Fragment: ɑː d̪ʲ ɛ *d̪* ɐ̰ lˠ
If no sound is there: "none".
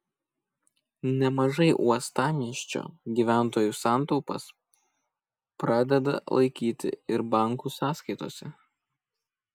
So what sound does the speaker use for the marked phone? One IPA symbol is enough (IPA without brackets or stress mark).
d̪